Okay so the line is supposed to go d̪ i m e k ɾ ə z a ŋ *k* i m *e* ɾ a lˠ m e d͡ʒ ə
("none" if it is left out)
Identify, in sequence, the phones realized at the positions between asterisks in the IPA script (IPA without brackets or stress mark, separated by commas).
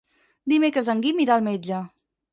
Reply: ɡ, i